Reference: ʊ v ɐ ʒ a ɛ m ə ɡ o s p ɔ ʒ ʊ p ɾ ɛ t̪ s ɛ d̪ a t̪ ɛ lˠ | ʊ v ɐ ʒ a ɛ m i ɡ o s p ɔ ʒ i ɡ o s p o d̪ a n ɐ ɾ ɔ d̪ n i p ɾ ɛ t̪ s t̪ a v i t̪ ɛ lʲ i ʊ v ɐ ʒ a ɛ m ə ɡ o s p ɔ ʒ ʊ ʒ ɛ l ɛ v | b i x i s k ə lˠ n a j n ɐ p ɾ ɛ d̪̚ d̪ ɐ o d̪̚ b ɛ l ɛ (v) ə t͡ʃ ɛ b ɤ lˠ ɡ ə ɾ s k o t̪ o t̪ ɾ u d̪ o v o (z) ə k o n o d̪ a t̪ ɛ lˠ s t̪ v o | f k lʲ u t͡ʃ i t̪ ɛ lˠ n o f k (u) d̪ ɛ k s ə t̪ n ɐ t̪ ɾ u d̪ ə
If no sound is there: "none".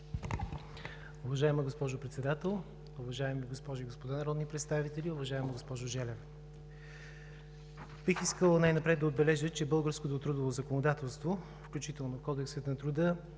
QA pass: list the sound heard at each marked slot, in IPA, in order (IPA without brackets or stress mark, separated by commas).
ʒ, z, ɔ